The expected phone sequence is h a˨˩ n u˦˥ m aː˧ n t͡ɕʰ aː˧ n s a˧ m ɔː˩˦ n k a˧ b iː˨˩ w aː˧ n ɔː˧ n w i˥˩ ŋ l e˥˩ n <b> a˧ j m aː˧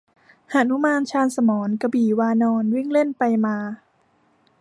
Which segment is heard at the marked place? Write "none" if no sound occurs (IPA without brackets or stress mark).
p